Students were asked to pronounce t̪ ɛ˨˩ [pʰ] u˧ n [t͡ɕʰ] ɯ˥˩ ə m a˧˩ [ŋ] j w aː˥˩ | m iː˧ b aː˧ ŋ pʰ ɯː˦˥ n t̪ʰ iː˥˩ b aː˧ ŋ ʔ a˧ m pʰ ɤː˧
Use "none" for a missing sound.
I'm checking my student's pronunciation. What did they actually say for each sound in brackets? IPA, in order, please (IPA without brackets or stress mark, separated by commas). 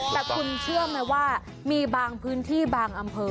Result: kʰ, t͡ɕʰ, none